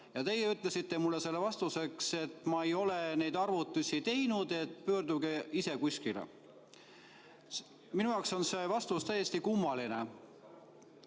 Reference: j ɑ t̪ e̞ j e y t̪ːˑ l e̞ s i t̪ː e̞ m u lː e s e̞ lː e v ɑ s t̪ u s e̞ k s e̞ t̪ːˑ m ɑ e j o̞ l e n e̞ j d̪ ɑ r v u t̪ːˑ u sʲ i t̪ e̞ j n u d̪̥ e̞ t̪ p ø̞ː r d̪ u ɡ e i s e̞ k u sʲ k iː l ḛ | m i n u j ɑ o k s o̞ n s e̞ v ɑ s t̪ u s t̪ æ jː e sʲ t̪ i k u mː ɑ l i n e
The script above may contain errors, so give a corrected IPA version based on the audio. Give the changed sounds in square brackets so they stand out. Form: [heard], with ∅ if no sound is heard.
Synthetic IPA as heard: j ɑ t̪ e̞ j e y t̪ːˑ l e̞ s i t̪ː e̞ m u lː e s e̞ lː e v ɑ s t̪ u s e̞ k s e̞ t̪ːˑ m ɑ e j o̞ l e n e̞ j d̪ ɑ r v u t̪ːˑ u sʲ i t̪ e̞ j n u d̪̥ e̞ t̪ p ø̞ː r d̪ u ɡ e i s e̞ k u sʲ k [i] l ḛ | m i n u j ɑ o k s o̞ n s e̞ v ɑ s t̪ u s t̪ æ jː e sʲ t̪ i k u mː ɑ l i n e